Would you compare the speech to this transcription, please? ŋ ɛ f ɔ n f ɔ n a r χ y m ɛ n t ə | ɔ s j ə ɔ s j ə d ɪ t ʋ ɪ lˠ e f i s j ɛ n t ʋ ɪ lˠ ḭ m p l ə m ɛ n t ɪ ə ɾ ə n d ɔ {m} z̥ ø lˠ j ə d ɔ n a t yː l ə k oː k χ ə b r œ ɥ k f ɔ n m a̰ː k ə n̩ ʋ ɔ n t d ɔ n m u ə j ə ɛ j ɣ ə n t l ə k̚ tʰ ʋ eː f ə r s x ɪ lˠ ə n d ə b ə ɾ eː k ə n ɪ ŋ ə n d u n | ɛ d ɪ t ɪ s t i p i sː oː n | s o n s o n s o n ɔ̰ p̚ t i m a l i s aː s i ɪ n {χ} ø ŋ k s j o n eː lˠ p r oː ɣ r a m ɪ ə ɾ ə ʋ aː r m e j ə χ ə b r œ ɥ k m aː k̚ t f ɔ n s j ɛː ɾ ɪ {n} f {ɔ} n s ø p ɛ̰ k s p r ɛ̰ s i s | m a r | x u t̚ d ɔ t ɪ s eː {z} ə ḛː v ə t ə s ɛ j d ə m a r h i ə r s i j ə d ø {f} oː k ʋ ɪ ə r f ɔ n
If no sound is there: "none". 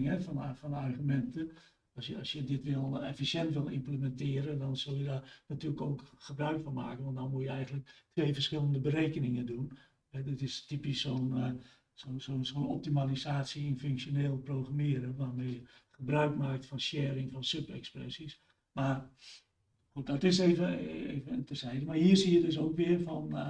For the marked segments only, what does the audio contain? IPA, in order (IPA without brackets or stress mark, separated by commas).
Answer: n, f, ŋ, ɔ, v, s